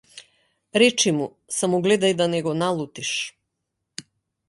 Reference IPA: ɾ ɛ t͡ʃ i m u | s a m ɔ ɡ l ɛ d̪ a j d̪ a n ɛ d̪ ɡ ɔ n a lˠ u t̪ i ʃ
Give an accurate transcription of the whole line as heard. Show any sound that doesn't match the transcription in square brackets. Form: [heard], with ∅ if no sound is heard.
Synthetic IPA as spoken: ɾ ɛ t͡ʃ i m u | s a m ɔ ɡ l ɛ d̪ a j d̪ a n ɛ [∅] ɡ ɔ n a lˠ u t̪ i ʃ